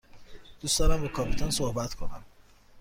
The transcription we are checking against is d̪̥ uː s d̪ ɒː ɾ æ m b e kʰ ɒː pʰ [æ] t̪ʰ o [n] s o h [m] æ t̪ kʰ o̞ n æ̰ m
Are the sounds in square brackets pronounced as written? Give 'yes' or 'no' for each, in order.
no, yes, no

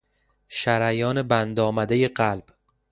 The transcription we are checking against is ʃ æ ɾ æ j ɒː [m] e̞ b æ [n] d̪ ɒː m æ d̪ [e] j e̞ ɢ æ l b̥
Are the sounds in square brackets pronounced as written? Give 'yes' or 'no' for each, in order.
no, yes, yes

